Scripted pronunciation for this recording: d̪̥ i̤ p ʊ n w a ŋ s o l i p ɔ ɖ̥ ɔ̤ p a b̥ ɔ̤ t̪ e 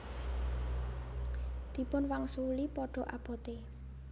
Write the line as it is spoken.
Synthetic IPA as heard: d̪̥ i̤ p ʊ n w a ŋ s u l i p ɔ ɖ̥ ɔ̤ ʔ a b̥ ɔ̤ t̪ e